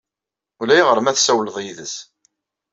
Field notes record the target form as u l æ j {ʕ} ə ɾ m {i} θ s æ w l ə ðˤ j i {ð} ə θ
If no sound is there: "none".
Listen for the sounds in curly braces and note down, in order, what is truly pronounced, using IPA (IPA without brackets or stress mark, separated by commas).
ʁ, æ, ð